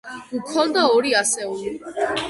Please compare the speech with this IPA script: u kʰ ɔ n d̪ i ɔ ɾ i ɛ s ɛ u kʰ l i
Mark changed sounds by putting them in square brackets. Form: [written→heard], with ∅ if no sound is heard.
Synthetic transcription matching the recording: u kʰ ɔ n d̪ [i→a] ɔ ɾ i [ɛ→a] s ɛ u [kʰ→∅] l i